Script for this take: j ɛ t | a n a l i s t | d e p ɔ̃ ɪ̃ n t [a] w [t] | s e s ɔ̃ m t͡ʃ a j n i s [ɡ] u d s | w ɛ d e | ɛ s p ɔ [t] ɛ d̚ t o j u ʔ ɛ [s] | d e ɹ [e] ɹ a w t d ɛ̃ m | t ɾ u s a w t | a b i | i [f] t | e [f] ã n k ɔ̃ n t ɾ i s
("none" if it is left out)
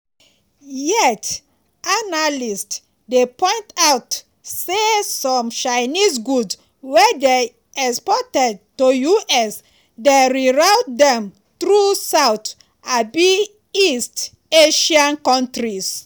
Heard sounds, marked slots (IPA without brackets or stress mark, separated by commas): a, t, ɡ, t, s, i, s, ʃ